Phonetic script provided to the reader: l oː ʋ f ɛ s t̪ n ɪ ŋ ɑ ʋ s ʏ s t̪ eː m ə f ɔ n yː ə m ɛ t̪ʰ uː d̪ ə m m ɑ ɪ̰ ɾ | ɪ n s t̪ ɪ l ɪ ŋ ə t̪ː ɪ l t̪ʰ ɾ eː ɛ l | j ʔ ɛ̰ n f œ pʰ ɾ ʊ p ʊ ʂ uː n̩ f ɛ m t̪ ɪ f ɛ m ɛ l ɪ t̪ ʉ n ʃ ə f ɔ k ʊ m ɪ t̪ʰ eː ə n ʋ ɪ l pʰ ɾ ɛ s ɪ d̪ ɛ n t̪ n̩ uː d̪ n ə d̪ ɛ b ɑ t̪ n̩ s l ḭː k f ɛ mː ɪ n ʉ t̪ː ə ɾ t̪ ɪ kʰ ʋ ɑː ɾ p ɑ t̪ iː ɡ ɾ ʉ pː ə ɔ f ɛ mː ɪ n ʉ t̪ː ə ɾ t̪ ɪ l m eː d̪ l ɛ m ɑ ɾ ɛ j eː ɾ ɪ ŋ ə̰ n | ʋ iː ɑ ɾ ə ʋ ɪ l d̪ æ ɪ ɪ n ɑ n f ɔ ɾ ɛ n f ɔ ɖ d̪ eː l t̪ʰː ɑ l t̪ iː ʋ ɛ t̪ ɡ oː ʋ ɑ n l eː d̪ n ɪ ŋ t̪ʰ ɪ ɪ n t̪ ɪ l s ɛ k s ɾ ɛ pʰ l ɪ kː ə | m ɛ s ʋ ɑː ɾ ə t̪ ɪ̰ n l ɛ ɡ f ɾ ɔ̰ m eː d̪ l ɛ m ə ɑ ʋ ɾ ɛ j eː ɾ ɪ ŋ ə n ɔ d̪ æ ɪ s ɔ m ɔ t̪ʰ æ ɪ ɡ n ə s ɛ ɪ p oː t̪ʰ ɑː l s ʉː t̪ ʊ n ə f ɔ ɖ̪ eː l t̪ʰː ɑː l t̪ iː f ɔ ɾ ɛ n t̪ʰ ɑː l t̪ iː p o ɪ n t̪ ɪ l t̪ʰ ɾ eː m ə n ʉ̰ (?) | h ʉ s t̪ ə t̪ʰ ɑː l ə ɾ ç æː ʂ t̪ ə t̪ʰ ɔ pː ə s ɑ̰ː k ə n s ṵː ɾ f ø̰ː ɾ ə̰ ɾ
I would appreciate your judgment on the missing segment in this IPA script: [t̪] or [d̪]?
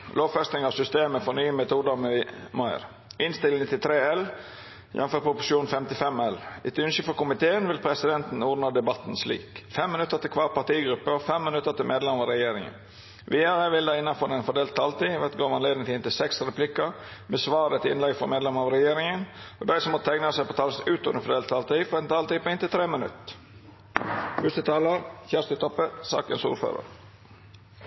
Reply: t̪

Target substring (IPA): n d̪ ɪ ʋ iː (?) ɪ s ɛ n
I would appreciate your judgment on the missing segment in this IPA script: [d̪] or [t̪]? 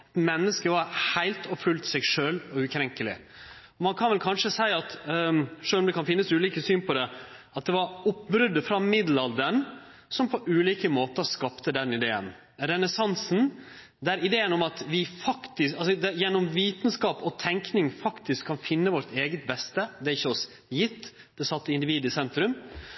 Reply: d̪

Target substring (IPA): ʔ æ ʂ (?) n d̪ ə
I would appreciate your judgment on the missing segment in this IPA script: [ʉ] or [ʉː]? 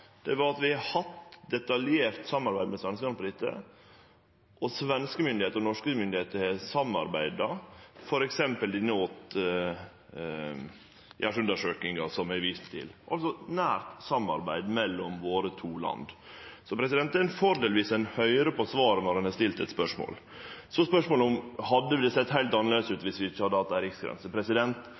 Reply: ʉ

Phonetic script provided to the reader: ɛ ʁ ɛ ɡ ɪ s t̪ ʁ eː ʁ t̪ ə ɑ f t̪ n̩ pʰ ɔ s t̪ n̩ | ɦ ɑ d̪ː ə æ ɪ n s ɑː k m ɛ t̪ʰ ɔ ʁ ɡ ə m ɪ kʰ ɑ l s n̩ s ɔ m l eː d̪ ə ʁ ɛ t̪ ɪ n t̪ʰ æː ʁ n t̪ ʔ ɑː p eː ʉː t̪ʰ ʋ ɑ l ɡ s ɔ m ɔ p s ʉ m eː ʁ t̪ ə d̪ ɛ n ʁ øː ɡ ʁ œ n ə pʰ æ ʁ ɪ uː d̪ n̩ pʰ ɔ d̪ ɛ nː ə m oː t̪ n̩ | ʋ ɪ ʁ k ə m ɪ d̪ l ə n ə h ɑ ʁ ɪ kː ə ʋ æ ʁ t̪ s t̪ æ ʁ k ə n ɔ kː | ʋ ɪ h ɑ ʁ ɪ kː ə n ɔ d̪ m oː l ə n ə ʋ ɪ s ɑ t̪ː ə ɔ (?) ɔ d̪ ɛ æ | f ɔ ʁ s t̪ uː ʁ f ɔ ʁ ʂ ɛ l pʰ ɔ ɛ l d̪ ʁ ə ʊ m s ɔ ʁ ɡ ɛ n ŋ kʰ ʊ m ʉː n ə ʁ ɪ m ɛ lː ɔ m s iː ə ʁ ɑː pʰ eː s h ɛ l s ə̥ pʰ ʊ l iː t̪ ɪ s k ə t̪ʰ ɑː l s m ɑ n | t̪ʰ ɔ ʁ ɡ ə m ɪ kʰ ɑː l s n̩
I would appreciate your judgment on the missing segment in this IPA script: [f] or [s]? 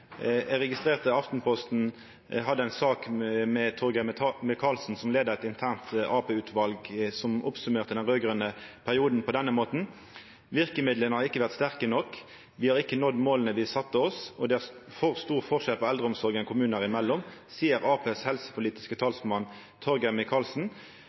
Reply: s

